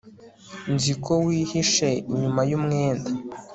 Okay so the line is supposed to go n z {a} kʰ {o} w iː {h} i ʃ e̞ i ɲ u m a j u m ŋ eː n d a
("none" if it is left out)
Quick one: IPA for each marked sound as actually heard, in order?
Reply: i, o, h

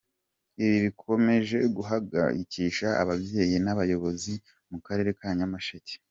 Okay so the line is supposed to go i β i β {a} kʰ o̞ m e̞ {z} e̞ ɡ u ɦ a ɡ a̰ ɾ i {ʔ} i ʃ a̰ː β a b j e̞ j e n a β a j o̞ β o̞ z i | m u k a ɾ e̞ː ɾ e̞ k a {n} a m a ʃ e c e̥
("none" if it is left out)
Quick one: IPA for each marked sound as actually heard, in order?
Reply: i, ʒ, c, ɲ

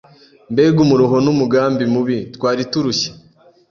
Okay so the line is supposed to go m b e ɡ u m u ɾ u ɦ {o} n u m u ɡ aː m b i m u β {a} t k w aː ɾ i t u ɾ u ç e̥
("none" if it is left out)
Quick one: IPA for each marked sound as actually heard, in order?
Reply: o, i

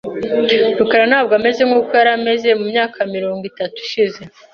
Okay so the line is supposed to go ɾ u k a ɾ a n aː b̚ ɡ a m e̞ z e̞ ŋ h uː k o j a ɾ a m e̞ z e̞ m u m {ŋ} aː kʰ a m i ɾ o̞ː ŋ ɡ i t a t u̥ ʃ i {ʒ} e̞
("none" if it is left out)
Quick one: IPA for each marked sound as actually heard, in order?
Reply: ɲ, z

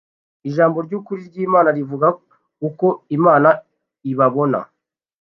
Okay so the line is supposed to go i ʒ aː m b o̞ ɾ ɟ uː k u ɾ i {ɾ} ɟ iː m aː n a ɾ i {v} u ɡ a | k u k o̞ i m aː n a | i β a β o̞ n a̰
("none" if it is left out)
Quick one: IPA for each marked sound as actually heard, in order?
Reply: ɾ, v

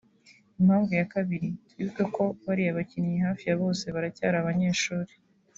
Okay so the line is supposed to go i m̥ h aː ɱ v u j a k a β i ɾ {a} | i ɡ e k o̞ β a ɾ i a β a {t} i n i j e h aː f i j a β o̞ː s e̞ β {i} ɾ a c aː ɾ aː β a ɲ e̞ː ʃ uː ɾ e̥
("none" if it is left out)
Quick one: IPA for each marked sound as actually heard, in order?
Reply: i, c, a

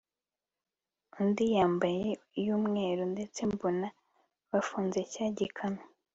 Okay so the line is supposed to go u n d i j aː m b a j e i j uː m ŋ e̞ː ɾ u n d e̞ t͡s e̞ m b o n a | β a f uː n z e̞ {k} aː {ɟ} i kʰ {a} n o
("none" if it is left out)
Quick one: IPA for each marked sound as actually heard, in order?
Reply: c, ɟ, a

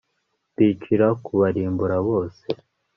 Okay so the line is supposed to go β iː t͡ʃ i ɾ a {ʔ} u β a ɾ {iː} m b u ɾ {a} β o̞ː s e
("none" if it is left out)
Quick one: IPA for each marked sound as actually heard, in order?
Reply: k, iː, a

